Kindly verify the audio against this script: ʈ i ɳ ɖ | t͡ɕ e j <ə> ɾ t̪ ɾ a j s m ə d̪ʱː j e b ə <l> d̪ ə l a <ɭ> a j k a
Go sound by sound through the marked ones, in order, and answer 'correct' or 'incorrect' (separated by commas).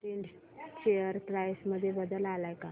correct, incorrect, incorrect